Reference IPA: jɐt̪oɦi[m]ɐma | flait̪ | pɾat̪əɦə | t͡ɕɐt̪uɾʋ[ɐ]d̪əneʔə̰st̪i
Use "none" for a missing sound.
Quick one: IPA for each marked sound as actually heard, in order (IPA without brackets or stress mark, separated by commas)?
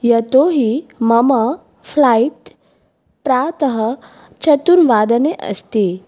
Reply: m, a